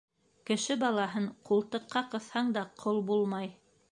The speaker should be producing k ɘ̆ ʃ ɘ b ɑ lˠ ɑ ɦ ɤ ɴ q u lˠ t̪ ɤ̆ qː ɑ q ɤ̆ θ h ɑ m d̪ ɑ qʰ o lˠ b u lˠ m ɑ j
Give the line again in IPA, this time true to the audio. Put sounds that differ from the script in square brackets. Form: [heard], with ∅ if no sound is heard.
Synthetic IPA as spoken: k ɘ̆ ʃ ɘ b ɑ lˠ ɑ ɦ ɤ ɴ q u lˠ t̪ ɤ̆ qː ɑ q ɤ̆ θ h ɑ [ɴ] d̪ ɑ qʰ o lˠ b u lˠ m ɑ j